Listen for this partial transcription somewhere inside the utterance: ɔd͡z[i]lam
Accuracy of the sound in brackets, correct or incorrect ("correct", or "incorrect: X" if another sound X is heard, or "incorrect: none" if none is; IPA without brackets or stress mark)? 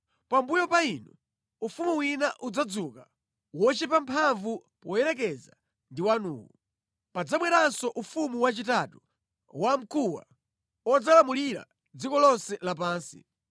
incorrect: a